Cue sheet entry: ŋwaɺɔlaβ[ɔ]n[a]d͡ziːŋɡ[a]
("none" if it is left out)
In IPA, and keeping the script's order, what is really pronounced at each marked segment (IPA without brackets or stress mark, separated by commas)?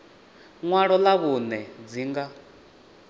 u, ɛ, a